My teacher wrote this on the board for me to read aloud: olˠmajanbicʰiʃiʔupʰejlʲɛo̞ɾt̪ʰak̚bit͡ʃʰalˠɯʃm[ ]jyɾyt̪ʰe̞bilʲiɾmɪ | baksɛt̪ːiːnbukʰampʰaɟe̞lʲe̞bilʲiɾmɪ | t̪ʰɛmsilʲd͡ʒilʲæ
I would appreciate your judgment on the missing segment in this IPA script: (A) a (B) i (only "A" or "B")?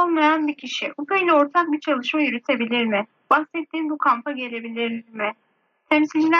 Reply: A